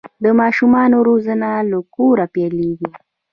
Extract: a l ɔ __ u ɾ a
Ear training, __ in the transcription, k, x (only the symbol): k